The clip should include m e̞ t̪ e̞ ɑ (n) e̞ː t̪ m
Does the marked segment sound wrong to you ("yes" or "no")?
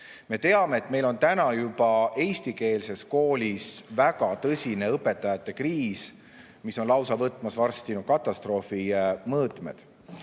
yes